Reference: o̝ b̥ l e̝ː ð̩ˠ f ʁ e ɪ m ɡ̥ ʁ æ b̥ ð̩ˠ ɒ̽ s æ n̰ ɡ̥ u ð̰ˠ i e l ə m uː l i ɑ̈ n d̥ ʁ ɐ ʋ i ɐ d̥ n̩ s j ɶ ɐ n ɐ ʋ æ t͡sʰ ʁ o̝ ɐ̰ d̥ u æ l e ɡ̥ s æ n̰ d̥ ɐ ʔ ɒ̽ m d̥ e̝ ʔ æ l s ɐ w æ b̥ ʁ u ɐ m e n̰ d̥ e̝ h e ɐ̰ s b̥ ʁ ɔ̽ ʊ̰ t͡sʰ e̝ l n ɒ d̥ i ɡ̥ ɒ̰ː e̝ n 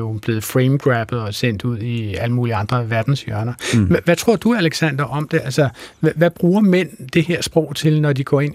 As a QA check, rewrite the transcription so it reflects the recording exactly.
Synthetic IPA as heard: o̝ b̥ l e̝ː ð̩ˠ f ʁ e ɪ m ɡ̥ ʁ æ b̥ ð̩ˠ ɒ̽ s e n̰ d̥ u ð̰ˠ i æ l ə m uː l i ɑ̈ n d̥ ʁ ɐ ʋ æ ɐ d̥ n̩ s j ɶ ɐ n ɐ ʋ æ t͡sʰ ʁ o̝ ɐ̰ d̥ u æ l e ɡ̥ s æ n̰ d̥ ɐ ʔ ɒ̽ m d̥ e̝ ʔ æ l s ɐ ʋ æ b̥ ʁ uː ɐ m e n̰ d̥ e̝ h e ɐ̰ s b̥ ʁ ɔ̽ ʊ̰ t͡sʰ e̝ l n ɒ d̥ i ɡ̥ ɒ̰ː e̝ n